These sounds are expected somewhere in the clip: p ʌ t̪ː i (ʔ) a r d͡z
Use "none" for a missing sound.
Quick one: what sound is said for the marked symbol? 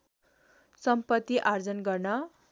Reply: ʔ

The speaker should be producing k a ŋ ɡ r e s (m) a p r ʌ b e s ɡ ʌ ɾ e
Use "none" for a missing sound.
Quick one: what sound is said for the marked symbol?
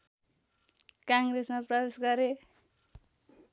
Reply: m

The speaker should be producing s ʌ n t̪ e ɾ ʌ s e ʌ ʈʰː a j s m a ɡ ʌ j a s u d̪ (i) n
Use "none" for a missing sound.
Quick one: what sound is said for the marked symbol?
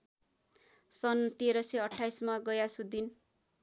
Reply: i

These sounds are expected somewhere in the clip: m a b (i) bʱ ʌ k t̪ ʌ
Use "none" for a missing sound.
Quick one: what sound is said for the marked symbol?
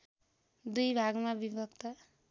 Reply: i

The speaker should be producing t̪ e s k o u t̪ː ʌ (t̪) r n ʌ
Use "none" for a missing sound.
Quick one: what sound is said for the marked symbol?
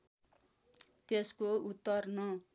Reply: none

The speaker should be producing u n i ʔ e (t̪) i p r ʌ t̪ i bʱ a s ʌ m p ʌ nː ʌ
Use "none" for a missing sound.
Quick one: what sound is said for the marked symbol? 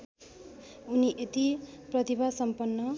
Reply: t̪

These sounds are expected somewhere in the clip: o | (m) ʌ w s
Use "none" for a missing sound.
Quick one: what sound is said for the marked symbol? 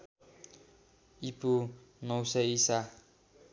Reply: n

